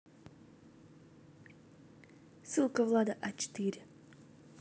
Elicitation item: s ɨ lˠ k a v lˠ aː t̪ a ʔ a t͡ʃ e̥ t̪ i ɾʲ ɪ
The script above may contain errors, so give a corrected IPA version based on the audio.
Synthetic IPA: s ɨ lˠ k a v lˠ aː d̪ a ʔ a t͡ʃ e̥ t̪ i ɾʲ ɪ